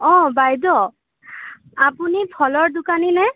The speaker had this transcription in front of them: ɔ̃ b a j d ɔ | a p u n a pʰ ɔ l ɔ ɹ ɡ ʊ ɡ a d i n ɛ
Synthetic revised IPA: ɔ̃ b a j d ɔ | a p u n i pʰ ɔ l ɔ ɹ d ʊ k a n i n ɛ